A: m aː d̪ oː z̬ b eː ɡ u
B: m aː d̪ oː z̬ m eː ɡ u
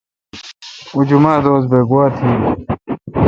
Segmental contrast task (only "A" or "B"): A